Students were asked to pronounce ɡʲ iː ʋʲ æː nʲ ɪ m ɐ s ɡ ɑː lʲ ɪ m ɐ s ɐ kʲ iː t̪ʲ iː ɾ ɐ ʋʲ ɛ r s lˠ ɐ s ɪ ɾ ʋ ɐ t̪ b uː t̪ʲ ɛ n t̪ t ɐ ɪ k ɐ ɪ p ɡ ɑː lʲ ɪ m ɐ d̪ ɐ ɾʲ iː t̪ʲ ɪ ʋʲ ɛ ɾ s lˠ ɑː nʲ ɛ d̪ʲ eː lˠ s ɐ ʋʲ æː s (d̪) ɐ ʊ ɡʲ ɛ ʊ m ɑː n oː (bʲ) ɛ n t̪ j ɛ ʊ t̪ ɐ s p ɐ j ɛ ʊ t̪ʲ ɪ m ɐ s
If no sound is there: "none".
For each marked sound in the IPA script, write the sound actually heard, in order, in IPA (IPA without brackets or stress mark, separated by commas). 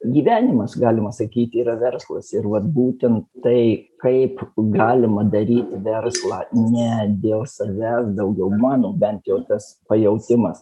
d̪, bʲ